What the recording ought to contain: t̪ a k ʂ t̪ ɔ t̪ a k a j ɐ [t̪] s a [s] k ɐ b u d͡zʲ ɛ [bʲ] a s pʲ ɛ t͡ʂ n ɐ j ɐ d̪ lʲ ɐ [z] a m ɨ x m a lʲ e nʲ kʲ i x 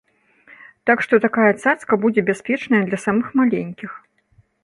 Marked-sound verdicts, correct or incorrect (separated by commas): correct, correct, correct, incorrect